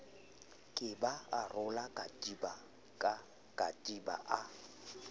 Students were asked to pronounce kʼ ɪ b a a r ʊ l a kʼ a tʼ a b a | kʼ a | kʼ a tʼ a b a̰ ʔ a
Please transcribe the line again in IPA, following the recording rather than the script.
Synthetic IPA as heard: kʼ ɪ b a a r ʊ l a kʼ a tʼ i b a | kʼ a | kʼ a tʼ i b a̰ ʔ a